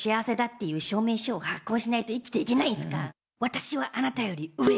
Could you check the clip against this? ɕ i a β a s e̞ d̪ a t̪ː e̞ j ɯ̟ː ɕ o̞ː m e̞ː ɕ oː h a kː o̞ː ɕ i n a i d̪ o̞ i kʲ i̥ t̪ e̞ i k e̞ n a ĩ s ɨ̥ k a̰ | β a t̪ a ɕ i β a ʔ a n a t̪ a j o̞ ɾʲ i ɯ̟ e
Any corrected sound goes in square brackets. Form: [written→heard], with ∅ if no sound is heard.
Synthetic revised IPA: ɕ i a β a s e̞ d̪ a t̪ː e̞ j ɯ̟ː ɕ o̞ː m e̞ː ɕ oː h a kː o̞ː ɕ i n a i [d̪→t̪] o̞ i kʲ i̥ t̪ e̞ i k e̞ n a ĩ s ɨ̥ k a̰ | β a t̪ a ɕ i β a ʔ a n a t̪ a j o̞ ɾʲ i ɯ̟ e